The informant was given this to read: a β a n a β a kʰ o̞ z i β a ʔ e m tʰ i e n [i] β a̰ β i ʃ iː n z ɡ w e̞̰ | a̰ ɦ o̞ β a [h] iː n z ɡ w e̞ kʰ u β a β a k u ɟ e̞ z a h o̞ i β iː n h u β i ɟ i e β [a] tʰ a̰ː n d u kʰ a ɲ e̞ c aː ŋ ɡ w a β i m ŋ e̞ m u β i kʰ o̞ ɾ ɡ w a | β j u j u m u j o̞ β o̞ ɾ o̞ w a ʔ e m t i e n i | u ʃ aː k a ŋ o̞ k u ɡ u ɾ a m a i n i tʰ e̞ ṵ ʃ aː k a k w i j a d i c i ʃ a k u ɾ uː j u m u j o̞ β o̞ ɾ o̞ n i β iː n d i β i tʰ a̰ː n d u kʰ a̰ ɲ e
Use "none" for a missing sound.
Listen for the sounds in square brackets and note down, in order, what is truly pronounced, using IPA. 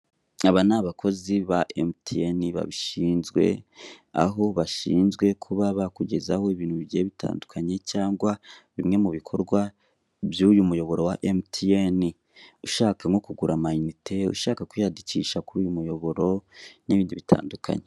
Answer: i, ʃ, i

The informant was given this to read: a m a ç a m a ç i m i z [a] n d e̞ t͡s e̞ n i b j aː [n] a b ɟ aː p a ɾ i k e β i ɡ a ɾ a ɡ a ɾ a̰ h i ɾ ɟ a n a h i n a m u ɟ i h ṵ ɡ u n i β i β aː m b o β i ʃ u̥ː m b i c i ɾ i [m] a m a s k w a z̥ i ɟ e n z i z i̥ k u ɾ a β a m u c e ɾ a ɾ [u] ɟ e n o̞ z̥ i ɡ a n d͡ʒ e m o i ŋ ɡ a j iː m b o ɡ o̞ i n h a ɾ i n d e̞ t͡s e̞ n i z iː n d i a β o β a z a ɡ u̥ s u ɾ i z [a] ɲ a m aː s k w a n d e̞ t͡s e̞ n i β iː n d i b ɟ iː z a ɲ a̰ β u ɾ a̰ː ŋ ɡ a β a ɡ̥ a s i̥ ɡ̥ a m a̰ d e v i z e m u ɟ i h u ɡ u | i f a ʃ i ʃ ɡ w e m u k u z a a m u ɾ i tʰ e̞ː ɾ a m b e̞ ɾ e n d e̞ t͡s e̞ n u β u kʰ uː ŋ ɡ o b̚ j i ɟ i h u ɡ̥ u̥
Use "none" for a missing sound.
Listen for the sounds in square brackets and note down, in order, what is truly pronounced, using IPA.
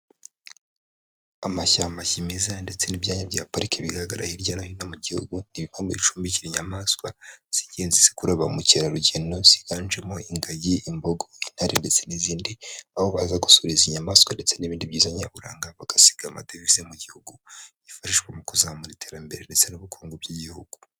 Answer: a, ɲ, ɲ, u, i

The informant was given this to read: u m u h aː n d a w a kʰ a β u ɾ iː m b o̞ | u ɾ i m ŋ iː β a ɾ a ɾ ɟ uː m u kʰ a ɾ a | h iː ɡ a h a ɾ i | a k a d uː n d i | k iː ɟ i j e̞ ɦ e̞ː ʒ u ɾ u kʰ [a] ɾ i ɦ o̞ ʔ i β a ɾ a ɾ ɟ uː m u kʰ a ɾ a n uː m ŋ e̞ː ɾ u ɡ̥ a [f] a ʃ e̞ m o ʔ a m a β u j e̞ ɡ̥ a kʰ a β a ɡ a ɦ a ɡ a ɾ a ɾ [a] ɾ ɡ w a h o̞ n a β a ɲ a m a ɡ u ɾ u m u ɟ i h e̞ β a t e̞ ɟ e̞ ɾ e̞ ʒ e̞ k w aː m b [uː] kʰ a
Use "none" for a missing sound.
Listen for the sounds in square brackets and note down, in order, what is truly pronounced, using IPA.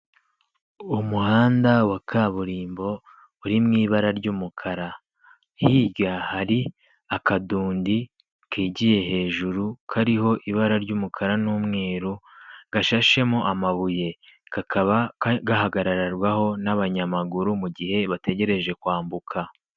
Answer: a, ʃ, a, u

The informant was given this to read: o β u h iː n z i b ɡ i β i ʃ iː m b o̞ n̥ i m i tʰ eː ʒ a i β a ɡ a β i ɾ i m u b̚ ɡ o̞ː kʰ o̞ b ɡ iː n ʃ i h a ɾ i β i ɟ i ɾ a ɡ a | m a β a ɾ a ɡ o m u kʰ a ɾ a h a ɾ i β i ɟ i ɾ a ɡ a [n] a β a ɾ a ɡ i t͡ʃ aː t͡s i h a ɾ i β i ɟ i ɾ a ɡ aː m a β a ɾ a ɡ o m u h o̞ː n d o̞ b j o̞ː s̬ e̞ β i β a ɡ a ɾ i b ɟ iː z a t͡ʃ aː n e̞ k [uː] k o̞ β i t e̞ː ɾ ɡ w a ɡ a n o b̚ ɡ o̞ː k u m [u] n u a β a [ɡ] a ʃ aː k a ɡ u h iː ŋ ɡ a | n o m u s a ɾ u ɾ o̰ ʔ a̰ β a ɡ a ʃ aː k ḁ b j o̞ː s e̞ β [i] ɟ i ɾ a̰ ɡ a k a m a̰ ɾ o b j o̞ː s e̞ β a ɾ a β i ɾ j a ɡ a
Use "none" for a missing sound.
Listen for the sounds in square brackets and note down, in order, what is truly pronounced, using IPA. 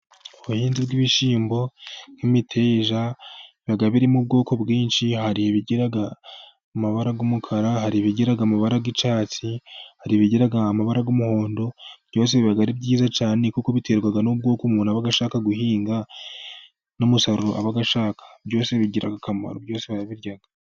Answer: m, u, uː, ɡ, i

